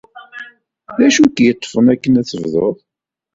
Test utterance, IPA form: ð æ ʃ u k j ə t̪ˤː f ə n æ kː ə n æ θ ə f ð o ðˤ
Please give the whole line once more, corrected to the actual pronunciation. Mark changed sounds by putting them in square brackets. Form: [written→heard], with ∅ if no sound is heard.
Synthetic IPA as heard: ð æ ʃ u k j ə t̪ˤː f ə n æ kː ə n æ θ ə [f→v] ð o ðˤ